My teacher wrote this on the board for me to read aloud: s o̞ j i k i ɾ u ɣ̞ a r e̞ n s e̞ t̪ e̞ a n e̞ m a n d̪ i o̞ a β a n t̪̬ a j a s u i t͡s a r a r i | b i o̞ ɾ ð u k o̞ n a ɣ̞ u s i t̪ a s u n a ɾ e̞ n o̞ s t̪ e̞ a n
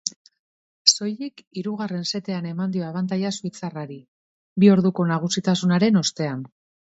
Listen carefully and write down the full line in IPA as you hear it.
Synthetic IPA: s o̞ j i k i ɾ u ɣ̞ a r e̞ n s e̞ t̪ e̞ a n e̞ m a n d̪ i o̞ a β a n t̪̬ a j a s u i t͡s a r a ɾ i | b i o̞ ɾ ð u k o̞ n a ɣ̞ u s i t̪ a s u n a ɾ e̞ n o̞ s t̪ e̞ a n